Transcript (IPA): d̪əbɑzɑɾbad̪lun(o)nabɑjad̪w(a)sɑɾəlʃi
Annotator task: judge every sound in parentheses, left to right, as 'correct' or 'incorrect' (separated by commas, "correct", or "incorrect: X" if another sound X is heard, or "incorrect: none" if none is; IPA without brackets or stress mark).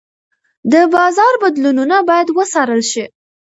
incorrect: u, incorrect: ə